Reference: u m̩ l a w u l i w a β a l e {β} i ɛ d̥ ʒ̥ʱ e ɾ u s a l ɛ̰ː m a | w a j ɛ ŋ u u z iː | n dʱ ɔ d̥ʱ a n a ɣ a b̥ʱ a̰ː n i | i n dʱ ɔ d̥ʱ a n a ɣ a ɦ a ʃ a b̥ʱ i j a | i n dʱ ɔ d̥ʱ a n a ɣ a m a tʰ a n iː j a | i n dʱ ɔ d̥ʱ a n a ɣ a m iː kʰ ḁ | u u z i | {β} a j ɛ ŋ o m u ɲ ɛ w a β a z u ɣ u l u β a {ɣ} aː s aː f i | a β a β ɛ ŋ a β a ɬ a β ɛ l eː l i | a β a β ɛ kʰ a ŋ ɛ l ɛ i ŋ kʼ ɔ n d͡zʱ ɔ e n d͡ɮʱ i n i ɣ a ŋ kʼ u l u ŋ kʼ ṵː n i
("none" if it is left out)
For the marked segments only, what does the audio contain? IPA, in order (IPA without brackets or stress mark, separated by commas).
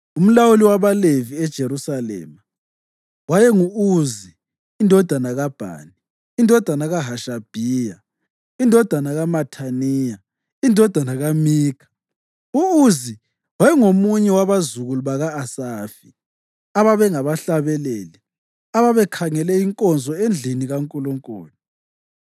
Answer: v, w, ɣ